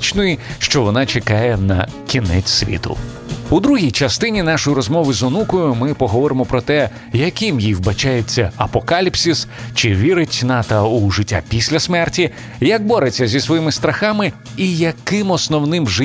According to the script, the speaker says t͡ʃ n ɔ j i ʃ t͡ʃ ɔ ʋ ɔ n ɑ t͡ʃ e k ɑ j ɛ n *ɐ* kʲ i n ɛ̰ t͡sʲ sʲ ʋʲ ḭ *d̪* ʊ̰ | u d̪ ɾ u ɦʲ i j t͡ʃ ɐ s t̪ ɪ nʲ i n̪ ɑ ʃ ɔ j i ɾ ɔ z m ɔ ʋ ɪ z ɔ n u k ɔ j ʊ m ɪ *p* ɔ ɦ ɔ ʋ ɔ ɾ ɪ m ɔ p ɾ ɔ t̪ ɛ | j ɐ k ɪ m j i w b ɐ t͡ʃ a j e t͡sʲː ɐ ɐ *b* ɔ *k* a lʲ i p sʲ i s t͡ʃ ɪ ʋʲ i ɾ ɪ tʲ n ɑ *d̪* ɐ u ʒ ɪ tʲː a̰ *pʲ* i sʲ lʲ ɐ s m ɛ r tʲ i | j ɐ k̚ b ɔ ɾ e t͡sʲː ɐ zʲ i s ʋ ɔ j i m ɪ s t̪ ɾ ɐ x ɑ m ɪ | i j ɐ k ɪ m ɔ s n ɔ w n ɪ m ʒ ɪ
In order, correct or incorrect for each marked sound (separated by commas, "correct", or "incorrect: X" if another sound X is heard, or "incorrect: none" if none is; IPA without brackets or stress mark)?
correct, incorrect: t̪, correct, incorrect: p, correct, incorrect: t̪, correct